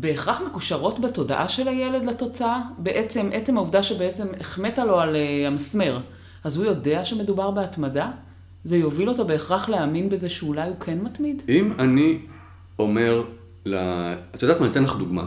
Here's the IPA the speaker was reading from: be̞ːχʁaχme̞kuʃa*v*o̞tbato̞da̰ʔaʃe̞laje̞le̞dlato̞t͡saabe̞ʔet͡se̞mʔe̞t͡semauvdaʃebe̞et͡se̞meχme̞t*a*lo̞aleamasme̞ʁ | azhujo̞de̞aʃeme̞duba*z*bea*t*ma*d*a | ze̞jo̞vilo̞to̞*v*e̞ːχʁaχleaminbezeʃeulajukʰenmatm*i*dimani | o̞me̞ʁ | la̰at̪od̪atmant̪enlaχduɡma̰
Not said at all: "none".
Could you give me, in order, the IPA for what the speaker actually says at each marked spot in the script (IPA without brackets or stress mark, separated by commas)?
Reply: ʁ, a, ʁ, t, d, b, i